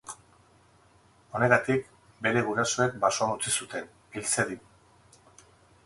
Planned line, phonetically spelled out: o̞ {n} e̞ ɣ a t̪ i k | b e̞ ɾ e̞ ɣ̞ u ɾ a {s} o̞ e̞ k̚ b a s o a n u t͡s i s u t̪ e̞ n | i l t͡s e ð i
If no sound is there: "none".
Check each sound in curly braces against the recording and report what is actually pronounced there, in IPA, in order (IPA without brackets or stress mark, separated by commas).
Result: n, s